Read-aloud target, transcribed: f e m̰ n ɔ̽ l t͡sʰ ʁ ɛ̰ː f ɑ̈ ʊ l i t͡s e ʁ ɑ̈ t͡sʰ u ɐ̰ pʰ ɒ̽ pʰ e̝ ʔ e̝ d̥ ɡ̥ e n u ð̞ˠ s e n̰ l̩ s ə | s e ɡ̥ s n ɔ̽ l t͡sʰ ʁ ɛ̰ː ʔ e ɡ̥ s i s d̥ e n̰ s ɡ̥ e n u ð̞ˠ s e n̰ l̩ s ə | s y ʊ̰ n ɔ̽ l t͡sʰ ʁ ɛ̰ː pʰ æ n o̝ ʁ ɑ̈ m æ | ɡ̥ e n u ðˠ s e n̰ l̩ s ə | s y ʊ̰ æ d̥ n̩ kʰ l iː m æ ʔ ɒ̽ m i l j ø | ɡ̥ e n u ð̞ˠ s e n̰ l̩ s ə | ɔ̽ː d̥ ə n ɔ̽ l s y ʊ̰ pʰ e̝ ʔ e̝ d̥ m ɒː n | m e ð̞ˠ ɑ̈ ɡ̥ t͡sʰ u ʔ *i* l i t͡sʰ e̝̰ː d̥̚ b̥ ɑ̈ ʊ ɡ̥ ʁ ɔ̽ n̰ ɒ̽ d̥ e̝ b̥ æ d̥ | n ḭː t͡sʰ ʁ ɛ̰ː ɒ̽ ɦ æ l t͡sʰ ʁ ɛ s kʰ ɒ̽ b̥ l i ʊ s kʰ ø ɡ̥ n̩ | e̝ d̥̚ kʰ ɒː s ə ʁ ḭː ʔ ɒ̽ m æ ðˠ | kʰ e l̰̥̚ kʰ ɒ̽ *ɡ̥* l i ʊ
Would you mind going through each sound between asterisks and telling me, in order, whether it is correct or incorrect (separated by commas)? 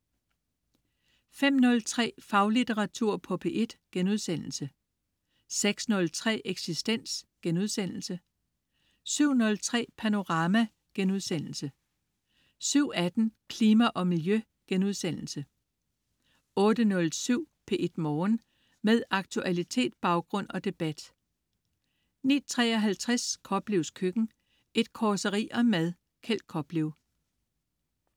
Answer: incorrect, incorrect